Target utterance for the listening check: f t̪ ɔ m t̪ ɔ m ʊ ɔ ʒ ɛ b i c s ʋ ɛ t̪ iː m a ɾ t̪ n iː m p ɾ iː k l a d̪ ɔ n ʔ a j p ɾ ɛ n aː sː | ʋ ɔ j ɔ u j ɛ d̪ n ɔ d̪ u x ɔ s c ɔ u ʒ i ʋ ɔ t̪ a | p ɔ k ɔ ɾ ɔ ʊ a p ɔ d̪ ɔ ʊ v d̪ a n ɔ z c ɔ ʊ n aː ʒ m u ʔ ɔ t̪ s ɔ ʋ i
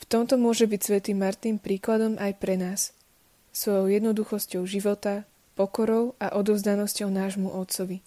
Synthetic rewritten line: f t̪ ɔ m t̪ ɔ m ʊ ɔ ʒ ɛ b i c s ʋ ɛ t̪ iː m a ɾ t̪ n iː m p ɾ iː k l a d̪ ɔ m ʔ a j p ɾ ɛ n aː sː | ʋ ɔ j ɔ ʊ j ɛ d̪ n ɔ d̪ u x ɔ s c ɔ ʊ ʒ i ʋ ɔ t̪ a | p ɔ k ɔ ɾ ɔ ʊ a ʔ ɔ d̪ ɔ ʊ z d̪ a n ɔ s c ɔ ʊ n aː ʒ m u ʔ ɔ t̪ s ɔ ʋ i